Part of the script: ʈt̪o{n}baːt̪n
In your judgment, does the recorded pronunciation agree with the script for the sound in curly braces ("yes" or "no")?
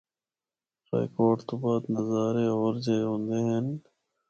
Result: no